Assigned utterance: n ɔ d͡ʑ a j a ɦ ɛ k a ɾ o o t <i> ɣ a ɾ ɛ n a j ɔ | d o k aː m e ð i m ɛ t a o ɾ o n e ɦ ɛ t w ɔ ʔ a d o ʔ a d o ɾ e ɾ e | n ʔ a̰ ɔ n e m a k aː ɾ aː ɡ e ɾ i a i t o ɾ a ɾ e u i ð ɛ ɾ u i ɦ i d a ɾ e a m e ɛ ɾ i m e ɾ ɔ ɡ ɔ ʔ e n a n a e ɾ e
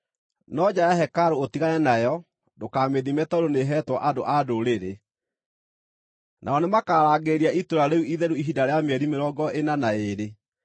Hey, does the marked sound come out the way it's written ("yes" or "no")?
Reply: yes